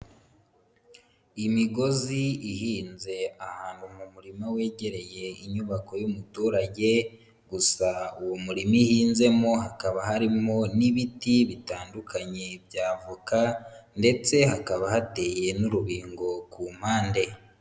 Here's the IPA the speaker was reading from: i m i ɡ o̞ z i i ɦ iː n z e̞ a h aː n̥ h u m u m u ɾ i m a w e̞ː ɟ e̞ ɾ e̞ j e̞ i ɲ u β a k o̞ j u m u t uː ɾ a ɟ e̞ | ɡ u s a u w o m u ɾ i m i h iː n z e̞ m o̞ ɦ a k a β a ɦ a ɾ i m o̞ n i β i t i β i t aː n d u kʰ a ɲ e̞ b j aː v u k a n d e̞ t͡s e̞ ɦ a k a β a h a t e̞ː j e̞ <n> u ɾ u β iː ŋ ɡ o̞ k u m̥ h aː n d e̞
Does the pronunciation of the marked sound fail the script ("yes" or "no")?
no